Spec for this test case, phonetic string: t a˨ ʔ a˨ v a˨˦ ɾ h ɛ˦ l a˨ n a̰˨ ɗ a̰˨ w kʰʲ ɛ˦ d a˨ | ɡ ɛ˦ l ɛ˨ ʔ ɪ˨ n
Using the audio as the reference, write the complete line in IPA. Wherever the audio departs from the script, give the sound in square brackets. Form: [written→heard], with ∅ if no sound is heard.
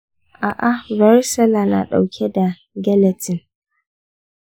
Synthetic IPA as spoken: [t→ʔ] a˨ ʔ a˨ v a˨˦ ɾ [h→s] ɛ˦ l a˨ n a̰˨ ɗ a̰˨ w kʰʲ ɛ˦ d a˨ | ɡ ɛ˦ l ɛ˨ [ʔ→t] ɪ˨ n